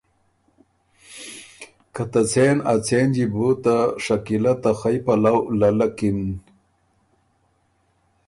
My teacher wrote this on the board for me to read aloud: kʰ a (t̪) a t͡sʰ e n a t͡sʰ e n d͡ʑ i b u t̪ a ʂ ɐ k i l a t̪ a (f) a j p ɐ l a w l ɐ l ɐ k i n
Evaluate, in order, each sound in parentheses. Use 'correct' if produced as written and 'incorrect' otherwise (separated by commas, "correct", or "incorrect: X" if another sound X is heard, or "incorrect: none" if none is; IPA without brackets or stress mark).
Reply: correct, incorrect: x